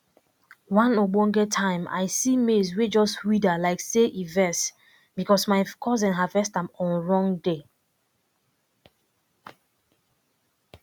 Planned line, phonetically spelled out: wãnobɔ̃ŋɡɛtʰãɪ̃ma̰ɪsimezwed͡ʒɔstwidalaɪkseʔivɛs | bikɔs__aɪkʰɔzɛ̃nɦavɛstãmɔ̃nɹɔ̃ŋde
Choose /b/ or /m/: m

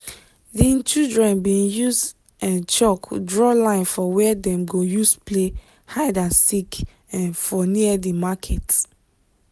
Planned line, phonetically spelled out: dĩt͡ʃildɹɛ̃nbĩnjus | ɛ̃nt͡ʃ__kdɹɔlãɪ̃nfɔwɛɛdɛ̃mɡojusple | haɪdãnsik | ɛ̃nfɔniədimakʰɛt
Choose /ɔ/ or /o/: ɔ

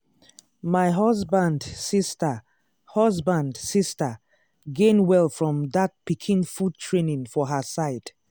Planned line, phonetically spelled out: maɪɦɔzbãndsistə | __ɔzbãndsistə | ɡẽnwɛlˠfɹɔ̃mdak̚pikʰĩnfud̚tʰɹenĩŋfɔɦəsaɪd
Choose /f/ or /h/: h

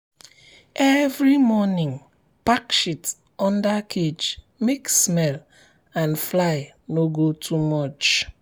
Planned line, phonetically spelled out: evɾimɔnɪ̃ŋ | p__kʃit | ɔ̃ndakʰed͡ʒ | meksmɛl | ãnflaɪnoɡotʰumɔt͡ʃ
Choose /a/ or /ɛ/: a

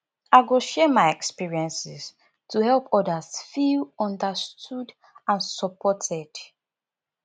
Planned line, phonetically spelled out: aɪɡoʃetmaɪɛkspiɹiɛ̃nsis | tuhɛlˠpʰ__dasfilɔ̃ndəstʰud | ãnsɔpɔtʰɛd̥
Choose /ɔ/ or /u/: ɔ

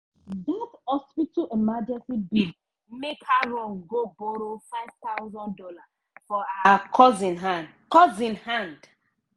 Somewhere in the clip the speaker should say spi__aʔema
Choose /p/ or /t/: t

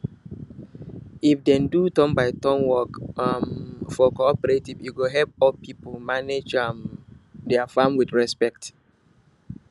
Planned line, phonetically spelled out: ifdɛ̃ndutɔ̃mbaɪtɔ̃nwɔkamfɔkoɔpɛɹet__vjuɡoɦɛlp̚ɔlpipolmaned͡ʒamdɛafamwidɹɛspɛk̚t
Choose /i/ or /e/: i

